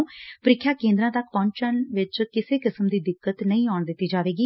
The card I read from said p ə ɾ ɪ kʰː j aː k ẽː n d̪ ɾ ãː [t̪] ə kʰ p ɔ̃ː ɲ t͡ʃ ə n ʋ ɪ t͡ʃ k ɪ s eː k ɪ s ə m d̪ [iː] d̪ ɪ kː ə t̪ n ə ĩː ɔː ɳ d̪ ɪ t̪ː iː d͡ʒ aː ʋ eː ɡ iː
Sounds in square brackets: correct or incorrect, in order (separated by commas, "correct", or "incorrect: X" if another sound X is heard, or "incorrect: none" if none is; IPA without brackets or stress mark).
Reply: correct, correct